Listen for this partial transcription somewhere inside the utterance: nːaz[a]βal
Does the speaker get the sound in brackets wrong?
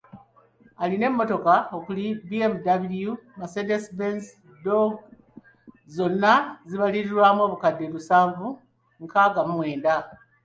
yes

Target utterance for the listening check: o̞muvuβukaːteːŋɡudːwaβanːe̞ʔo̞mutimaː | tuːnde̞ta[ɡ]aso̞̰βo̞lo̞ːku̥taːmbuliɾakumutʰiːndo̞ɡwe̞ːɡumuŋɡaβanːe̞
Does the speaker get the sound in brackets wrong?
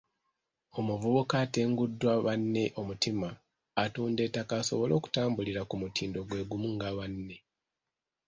yes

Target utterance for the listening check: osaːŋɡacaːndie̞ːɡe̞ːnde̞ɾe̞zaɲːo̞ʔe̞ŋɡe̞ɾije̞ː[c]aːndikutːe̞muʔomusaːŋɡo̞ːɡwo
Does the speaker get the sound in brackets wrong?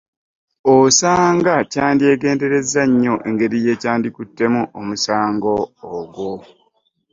no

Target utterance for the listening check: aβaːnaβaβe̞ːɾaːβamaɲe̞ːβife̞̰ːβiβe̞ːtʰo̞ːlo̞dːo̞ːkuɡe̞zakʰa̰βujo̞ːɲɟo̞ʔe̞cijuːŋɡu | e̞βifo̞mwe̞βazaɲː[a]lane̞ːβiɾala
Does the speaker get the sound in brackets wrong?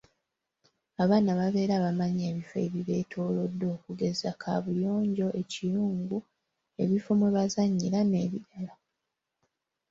yes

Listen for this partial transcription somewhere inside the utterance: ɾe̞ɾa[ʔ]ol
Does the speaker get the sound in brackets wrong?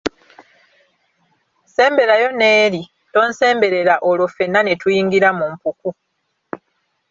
no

